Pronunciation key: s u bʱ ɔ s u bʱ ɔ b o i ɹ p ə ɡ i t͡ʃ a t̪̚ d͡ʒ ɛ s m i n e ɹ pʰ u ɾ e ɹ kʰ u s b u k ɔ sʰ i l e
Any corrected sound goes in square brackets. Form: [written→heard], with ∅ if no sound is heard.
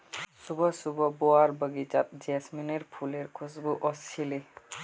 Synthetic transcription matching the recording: s u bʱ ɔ s u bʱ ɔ b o [i→a] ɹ [p→b] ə ɡ i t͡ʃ a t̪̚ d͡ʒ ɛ s m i n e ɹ pʰ u [ɾ→l] e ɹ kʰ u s b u [k→ʔ] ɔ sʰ i l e